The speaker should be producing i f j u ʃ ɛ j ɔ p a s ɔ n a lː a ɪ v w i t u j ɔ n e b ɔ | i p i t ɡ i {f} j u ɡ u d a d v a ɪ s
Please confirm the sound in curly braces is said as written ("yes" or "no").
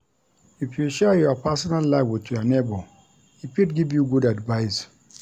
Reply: no